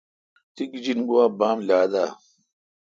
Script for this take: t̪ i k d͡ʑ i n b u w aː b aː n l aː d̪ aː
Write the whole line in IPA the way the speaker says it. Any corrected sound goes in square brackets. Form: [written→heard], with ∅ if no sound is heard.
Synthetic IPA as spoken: t̪ i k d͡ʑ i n [b→ɡ] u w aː b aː [n→m] l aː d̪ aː

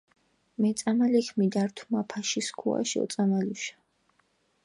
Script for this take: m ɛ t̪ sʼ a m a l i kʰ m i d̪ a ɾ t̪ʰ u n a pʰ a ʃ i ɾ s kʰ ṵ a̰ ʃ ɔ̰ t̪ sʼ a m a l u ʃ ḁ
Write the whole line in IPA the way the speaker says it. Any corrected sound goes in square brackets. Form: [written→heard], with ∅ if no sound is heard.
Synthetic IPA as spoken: m ɛ t̪ sʼ a m a l i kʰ m i d̪ a ɾ t̪ʰ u [n→m] a pʰ a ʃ i [ɾ→∅] s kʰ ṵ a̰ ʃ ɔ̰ t̪ sʼ a m a l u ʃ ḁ

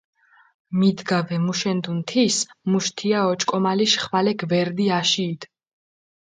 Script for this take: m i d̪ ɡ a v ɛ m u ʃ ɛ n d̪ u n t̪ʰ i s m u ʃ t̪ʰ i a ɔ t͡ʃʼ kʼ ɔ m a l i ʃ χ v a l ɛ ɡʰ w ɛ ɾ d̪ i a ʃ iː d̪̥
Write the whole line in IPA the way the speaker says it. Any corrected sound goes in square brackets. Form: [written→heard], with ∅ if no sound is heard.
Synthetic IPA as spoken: m i d̪ ɡ a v ɛ m u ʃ ɛ n d̪ u n t̪ʰ i s m u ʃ t̪ʰ i a ɔ t͡ʃʼ kʼ ɔ m a l i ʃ χ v a l ɛ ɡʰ [w→v] ɛ ɾ d̪ i a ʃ iː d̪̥

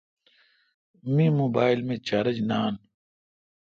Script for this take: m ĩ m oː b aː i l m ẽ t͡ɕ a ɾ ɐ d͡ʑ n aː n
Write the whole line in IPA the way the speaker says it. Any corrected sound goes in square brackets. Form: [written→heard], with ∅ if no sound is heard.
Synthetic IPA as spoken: m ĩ m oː b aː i l m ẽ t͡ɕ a ɾ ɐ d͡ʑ n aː n

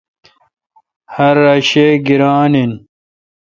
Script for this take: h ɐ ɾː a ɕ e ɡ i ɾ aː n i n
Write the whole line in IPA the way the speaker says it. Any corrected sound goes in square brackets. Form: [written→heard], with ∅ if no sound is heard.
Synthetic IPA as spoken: h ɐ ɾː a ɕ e ɡ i ɾ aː n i n

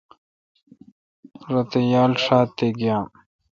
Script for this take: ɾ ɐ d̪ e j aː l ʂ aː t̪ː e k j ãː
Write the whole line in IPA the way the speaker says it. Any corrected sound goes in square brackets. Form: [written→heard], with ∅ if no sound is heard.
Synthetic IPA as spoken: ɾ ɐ [d̪→t̪] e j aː l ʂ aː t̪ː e [k→ɡ] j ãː

